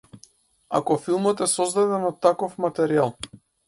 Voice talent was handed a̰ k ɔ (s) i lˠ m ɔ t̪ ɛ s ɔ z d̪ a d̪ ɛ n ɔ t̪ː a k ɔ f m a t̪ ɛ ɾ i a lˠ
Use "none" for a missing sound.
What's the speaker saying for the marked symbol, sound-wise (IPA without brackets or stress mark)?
f